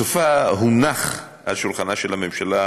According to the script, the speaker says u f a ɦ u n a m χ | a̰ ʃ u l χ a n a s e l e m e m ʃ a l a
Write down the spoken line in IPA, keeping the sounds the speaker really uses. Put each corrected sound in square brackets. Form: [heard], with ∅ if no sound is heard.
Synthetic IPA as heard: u f a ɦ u n a [∅] χ | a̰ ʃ u l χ a n a [ʃ] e l [a] m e m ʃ a l a